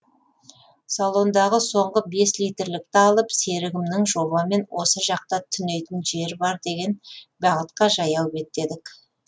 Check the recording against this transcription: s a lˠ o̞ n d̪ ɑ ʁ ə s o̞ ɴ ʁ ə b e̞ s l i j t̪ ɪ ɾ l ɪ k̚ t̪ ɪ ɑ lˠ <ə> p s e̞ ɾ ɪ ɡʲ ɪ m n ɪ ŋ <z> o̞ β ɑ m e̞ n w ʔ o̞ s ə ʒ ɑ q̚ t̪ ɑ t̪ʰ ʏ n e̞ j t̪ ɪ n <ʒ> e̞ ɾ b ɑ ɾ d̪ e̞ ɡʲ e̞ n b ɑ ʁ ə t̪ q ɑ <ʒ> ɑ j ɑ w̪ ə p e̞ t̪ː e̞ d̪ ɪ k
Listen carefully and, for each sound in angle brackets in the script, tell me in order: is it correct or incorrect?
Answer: correct, incorrect: ʒ, correct, correct

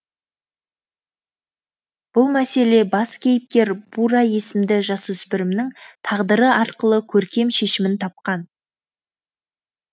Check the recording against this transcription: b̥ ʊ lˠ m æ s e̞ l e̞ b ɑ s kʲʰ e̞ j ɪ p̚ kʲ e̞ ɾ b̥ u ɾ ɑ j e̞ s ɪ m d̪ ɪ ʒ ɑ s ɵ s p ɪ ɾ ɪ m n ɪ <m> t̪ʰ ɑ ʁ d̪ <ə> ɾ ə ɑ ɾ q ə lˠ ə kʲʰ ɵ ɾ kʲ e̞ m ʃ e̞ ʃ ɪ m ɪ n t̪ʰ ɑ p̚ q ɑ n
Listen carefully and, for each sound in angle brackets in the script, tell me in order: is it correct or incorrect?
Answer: incorrect: ŋ, correct

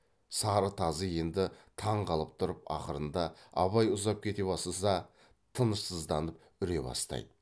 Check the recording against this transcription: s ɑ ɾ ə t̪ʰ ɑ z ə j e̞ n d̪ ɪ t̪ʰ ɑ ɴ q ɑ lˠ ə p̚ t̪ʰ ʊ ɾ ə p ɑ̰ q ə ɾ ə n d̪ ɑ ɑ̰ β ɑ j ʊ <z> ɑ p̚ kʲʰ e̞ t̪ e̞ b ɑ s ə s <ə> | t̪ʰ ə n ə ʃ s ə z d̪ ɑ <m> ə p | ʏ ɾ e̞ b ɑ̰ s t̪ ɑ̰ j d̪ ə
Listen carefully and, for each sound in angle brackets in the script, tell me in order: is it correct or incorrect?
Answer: correct, incorrect: ɑ, incorrect: n

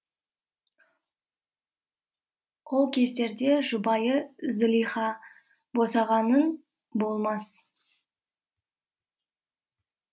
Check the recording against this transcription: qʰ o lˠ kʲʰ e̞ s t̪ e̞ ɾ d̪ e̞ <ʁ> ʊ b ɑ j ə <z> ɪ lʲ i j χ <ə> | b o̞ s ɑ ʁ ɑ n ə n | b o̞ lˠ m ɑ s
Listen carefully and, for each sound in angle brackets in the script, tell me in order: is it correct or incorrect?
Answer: incorrect: ʒ, correct, incorrect: ɑ

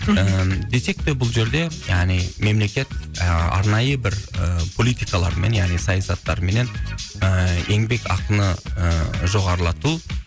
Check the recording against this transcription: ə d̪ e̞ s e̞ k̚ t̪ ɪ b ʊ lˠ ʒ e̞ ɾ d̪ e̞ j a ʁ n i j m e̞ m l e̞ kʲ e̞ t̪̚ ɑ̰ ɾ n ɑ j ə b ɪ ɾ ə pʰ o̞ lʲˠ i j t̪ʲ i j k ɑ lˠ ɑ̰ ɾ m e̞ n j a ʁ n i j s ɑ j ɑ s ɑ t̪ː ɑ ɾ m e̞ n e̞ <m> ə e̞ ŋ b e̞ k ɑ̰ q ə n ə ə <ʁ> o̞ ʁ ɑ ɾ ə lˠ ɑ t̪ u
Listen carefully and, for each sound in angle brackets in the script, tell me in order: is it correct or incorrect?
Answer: incorrect: n, incorrect: ʒ

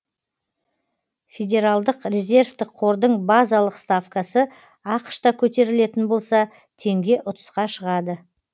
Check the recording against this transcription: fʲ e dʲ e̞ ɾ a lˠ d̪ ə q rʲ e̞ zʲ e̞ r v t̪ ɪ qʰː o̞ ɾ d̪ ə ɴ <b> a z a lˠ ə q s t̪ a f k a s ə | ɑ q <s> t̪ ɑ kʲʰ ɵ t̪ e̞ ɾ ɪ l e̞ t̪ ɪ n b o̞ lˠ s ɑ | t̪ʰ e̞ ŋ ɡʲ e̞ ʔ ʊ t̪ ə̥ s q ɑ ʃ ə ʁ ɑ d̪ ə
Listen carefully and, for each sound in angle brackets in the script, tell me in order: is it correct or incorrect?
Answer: correct, incorrect: ʃ

